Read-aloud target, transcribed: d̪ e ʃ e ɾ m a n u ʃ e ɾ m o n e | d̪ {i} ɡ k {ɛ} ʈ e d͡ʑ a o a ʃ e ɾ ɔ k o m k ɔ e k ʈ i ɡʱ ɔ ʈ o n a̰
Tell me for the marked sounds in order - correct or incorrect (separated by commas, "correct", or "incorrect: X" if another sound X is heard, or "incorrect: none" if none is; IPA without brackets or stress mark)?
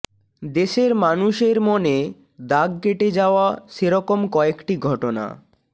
incorrect: a, incorrect: e